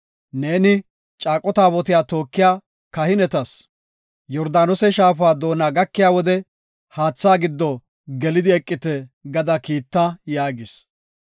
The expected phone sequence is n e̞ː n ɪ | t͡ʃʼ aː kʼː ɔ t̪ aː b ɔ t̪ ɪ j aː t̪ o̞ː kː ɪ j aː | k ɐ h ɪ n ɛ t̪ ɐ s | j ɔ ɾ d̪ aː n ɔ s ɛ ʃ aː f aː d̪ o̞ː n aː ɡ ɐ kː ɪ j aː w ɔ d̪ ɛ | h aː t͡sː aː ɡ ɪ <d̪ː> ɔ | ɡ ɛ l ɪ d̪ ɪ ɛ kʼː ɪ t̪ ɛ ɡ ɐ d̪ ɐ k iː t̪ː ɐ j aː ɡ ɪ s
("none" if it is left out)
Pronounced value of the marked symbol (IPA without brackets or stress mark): d̪ː